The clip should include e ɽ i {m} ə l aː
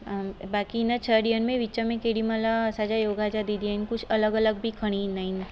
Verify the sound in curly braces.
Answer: correct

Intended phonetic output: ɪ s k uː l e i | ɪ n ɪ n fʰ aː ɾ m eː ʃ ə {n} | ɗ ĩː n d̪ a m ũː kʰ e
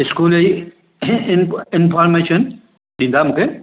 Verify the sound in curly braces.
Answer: correct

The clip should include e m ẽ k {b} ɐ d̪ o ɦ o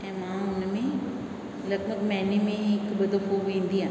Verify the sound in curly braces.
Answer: correct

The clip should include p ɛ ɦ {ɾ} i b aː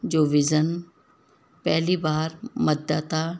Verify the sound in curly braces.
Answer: incorrect: l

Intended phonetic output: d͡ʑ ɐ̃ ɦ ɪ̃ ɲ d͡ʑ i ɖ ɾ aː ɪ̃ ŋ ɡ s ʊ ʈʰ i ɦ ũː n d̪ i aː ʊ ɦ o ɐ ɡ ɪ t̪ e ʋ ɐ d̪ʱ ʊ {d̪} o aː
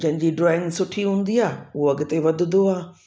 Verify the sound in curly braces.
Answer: correct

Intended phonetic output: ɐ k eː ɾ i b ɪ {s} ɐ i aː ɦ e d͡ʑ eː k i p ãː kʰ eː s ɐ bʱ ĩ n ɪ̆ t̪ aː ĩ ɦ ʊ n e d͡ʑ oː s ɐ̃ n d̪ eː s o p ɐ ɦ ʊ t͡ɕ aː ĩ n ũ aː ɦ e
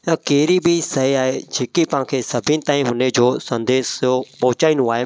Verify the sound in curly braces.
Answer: correct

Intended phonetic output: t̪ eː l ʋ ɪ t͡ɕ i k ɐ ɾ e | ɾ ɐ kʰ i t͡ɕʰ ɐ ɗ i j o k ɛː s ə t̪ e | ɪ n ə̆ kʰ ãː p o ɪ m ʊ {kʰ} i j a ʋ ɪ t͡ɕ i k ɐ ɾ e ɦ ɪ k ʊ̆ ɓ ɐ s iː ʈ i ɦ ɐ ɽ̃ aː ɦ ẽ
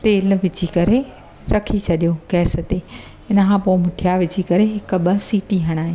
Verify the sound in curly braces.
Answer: incorrect: ʈʰ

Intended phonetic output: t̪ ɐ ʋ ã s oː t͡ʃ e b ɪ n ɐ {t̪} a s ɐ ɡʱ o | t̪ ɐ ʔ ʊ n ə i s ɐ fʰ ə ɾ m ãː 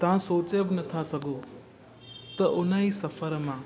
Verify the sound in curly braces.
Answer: incorrect: t̪ʰ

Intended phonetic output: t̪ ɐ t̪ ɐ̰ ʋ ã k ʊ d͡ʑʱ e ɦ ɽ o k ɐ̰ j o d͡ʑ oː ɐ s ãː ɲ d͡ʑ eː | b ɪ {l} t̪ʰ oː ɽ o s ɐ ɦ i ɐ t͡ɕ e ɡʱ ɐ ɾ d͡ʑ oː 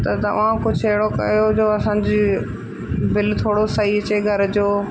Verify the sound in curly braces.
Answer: correct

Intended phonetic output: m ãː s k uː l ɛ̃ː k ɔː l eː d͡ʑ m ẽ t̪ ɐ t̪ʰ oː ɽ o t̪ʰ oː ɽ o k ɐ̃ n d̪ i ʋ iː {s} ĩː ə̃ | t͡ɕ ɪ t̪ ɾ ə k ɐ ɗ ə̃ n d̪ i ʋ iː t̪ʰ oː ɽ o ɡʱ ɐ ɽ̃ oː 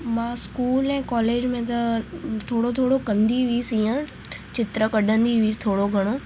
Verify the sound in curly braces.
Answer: correct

